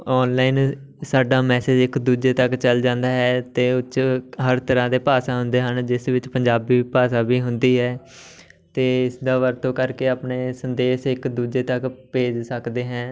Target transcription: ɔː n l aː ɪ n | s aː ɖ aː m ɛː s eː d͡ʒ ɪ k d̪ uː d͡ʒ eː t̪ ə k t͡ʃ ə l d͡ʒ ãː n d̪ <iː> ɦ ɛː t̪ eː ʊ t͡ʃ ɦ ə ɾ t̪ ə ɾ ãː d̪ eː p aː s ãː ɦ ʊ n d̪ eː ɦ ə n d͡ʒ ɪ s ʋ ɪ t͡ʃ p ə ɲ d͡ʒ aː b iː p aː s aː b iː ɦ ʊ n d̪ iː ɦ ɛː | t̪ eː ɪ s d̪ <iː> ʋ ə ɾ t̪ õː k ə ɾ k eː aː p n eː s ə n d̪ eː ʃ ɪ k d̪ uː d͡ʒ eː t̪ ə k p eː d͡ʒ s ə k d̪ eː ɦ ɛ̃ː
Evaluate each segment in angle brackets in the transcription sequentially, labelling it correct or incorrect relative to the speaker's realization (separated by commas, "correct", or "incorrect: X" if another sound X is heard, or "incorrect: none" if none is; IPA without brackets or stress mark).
incorrect: aː, incorrect: aː